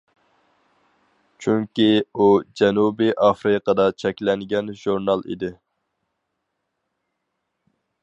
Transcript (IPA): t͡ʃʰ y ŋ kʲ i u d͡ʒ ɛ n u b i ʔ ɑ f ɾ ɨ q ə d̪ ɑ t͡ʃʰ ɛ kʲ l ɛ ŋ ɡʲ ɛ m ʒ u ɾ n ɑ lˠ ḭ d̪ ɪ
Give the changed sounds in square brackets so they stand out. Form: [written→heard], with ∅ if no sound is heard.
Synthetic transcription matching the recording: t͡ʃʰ y ŋ kʲ i u d͡ʒ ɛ n u b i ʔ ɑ f ɾ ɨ q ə d̪ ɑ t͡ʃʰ ɛ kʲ l ɛ ŋ ɡʲ ɛ [m→n] ʒ u ɾ n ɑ lˠ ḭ d̪ ɪ